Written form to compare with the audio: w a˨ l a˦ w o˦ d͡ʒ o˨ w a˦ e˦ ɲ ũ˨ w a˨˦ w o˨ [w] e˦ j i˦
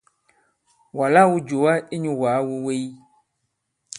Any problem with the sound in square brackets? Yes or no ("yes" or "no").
no